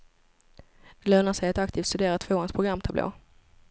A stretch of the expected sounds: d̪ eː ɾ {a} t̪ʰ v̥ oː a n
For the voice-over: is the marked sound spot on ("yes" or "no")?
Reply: yes